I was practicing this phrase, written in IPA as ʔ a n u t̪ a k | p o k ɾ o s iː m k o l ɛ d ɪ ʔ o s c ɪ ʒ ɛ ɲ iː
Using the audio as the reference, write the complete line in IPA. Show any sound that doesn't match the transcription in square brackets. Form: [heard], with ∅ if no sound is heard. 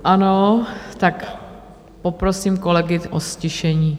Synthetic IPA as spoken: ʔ a n [o] t̪ a k | p o [p] ɾ o s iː m k o l ɛ [ɡ] ɪ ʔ o s c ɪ [ʃ] ɛ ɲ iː